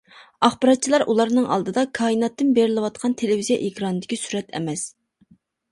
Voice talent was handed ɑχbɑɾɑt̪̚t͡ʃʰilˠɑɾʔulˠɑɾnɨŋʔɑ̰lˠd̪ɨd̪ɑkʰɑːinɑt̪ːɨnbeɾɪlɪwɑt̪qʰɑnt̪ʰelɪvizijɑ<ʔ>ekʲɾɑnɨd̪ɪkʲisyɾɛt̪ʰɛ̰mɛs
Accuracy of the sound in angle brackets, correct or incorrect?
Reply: correct